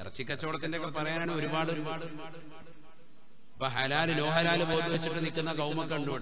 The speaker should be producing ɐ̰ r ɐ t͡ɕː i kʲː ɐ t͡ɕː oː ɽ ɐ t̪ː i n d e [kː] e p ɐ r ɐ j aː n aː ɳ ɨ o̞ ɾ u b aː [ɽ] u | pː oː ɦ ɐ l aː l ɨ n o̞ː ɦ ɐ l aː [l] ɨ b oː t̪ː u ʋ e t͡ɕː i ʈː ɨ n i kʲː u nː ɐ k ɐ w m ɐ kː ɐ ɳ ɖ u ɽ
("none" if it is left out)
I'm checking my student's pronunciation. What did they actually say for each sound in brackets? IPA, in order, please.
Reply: kː, ɽ, l

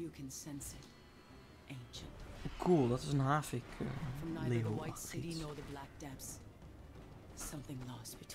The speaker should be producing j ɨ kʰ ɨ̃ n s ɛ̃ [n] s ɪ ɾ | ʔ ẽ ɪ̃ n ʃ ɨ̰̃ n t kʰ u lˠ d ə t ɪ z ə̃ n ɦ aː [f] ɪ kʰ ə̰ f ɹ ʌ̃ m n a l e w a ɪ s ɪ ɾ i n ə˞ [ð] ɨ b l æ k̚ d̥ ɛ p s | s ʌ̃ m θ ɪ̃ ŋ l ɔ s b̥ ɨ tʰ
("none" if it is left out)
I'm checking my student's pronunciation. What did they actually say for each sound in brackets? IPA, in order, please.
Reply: n, f, ð

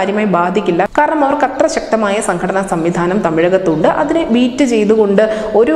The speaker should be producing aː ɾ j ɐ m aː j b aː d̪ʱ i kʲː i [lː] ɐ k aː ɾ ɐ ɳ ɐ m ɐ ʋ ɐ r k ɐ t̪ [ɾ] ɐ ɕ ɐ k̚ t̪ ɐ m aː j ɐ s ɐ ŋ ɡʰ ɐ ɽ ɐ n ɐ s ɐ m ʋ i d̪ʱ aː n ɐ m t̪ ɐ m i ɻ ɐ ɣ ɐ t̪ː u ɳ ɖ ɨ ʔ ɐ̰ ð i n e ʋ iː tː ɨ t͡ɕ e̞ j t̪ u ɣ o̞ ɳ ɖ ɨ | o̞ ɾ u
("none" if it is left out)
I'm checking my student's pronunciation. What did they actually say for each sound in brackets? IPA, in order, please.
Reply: lː, r

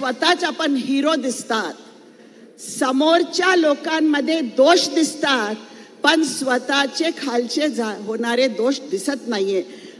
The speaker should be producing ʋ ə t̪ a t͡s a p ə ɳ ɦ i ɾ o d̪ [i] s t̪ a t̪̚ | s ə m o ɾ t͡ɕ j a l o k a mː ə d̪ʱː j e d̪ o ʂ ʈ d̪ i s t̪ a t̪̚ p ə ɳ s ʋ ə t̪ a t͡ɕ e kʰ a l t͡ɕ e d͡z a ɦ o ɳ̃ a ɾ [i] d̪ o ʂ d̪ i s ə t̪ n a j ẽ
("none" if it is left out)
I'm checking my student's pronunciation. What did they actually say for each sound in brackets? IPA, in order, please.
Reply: i, e

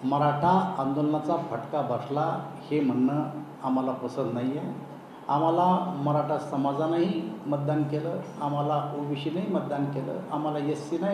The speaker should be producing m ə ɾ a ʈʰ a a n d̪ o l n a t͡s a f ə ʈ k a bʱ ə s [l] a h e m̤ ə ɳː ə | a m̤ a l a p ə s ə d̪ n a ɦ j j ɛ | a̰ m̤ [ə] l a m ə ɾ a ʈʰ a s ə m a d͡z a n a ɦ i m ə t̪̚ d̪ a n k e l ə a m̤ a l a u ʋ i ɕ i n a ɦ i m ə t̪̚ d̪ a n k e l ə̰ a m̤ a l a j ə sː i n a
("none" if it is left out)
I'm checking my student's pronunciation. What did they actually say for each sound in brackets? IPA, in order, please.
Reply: l, a

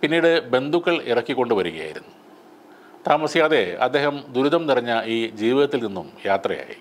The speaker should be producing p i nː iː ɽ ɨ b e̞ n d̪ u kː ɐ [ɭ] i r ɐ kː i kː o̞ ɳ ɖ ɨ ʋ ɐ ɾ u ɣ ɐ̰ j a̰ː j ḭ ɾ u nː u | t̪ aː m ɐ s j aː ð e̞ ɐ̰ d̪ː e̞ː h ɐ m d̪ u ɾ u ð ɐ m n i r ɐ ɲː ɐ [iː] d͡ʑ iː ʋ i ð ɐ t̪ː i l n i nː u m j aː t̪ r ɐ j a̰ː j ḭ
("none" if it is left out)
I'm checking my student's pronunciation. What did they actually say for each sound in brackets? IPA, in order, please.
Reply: ɭ, iː

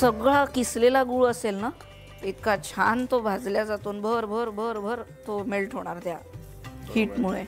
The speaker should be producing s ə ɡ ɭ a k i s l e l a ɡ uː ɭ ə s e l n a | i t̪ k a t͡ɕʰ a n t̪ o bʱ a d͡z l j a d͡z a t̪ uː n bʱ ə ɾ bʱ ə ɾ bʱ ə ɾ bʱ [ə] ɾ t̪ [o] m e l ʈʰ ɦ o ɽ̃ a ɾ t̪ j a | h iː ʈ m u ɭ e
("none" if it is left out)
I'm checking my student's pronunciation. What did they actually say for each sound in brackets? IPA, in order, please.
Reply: ə, o

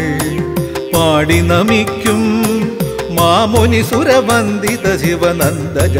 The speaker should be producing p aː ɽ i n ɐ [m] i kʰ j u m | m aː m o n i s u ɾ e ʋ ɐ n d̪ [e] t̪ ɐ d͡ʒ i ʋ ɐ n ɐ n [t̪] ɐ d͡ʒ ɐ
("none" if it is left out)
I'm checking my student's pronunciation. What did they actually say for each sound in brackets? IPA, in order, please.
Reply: m, i, d̪

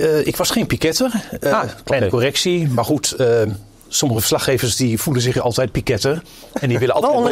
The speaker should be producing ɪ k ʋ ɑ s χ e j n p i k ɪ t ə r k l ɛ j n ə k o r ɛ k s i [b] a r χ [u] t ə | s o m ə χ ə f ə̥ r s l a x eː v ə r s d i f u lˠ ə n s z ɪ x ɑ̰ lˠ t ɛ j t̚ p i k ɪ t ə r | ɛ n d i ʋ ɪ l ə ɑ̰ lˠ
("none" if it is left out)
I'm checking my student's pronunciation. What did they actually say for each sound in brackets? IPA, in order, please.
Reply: m, u

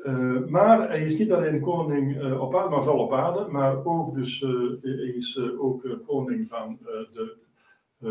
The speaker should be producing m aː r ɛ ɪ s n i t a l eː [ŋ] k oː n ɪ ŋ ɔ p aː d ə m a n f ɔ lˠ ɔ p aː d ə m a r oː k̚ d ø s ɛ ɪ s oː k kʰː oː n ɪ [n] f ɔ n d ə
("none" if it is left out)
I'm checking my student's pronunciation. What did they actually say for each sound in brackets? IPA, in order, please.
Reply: n, ŋ

